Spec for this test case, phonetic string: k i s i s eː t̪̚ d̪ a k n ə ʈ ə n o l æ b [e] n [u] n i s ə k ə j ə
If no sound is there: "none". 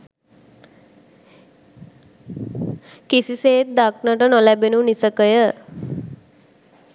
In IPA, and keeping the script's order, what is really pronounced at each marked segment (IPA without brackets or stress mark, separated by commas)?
e, u